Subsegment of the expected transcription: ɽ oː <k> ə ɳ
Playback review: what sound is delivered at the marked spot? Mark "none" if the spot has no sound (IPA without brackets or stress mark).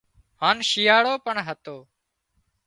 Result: p